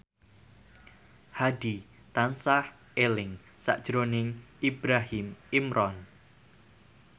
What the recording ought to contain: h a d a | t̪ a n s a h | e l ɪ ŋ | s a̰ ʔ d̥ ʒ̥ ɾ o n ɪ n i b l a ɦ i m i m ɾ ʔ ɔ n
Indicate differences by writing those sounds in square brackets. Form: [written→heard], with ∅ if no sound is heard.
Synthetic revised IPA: h a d [a→i] | t̪ a n s a h | e l ɪ ŋ | s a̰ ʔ d̥ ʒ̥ ɾ o n ɪ [n→ŋ] i b [l→ɾ] a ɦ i m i m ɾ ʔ ɔ n